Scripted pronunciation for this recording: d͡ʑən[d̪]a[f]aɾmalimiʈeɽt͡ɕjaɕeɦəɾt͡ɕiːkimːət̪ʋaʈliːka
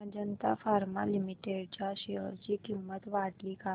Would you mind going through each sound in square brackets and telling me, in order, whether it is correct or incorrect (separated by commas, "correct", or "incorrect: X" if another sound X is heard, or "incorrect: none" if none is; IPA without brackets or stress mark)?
incorrect: t̪, correct